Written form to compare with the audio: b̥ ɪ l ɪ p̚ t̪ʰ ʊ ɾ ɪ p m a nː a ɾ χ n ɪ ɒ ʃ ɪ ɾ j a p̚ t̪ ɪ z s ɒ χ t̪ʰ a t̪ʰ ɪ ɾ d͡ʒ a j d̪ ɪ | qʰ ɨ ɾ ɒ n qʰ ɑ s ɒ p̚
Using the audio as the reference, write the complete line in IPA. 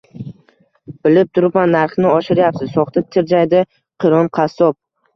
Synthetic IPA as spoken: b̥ ɪ l ɪ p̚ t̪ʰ ʊ ɾ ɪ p m a nː a ɾ χ n ɪ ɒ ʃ ɪ ɾ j a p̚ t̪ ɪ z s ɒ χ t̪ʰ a t̪ʰ ɪ ɾ d͡ʒ a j d̪ ɪ | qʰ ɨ ɾ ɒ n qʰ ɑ s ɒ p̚

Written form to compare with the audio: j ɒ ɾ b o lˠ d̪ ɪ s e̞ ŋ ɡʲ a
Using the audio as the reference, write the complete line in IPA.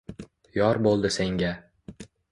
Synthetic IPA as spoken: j ɒ ɾ b o lˠ d̪ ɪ s e̞ ŋ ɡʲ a

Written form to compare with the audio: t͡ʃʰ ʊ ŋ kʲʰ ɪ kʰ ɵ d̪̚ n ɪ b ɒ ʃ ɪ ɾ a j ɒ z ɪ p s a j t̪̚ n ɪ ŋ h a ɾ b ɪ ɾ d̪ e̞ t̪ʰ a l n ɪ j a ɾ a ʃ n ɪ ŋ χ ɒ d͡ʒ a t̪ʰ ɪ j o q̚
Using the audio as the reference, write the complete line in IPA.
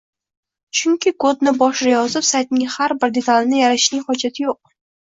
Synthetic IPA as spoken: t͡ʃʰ ʊ ŋ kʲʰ ɪ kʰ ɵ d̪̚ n ɪ b ɒ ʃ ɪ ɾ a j ɒ z ɪ p s a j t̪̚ n ɪ ŋ h a ɾ b ɪ ɾ d̪ e̞ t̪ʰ a l n ɪ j a ɾ a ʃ n ɪ ŋ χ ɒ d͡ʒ a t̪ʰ ɪ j o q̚

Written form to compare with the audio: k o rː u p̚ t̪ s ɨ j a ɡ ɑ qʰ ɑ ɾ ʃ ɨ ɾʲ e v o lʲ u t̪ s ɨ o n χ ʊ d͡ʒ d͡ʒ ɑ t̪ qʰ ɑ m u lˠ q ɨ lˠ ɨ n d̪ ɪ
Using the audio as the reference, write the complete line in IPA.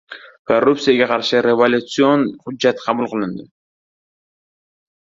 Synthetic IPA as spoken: k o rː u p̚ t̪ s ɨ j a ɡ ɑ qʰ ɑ ɾ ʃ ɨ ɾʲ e v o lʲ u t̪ s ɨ o n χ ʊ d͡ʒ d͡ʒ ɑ t̪ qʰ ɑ m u lˠ q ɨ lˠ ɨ n d̪ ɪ

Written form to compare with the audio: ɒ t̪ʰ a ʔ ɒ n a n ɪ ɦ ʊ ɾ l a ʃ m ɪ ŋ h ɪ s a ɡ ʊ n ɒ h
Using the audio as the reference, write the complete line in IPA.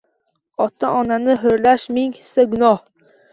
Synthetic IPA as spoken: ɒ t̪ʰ a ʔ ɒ n a n ɪ ɦ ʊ ɾ l a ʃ m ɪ ŋ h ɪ s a ɡ ʊ n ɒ h

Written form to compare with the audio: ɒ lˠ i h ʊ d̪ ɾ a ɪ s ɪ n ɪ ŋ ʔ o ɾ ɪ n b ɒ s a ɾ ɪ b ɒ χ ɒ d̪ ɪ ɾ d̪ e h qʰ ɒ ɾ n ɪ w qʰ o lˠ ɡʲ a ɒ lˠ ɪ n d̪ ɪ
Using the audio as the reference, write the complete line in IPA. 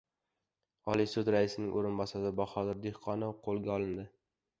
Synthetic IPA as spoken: ɒ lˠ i s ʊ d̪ ɾ a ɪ s ɪ n ɪ ŋ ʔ o ɾ ɪ n b ɒ s a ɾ ɪ b ɒ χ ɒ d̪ ɪ ɾ d̪ e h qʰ ɒ n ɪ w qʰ o lˠ ɡʲ a ɒ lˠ ɪ n d̪ ɪ

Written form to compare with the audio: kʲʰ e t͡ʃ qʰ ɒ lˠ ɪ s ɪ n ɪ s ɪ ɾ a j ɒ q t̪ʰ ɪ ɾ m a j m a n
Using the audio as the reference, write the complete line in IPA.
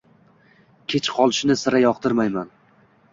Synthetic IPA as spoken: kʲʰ e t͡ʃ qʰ ɒ lˠ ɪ ʃ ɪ n ɪ s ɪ ɾ a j ɒ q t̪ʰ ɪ ɾ m a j m a n

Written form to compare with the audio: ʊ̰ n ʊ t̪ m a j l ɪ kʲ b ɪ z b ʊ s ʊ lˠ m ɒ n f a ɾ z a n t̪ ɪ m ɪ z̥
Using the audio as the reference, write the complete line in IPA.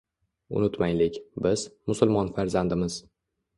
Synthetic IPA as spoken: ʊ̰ n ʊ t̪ m a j l ɪ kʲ b ɪ z m ʊ s ʊ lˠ m ɒ n f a ɾ z a n d̪ ɪ m ɪ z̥

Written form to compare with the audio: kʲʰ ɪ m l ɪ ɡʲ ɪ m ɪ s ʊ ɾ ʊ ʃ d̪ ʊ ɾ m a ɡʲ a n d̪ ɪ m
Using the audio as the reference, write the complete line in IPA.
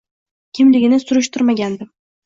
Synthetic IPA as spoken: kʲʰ ɪ m l ɪ ɡʲ ɪ n ɪ s ʊ ɾ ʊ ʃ t̪ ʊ ɾ m a ɡʲ a n d̪ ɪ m

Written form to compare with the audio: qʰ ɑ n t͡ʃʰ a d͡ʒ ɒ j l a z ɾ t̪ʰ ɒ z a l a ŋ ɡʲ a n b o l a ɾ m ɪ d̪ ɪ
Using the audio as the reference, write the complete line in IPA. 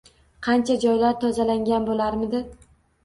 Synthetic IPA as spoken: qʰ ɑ n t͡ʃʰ a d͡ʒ ɒ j l a ɾ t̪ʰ ɒ z a l a ŋ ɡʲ a n b o l a ɾ m ɪ d̪ ɪ

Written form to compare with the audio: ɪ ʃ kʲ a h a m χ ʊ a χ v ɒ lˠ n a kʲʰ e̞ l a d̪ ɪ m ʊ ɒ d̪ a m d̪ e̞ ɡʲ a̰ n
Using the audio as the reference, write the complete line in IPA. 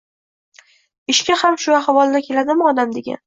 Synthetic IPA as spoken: ɪ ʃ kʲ a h a m ʃ ʊ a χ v ɒ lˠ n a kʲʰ e̞ l a d̪ ɪ m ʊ ɒ d̪ a m d̪ e̞ ɡʲ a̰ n

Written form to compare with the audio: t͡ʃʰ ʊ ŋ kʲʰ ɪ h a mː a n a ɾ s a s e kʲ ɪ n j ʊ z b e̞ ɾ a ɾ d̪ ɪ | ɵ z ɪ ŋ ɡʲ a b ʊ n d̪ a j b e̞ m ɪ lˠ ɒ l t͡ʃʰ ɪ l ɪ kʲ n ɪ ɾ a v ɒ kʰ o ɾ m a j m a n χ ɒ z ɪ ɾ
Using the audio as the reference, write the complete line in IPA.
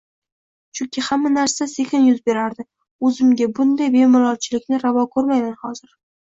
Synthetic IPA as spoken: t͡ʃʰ ʊ ŋ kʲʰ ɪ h a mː a n a ɾ s a s e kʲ ɪ n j ʊ z b e̞ ɾ a ɾ d̪ ɪ | ɵ z ɪ m ɡʲ a b ʊ n d̪ a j b e̞ m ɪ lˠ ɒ l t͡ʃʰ ɪ l ɪ kʲ n ɪ ɾ a v ɒ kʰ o ɾ m a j m a n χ ɒ z ɪ ɾ

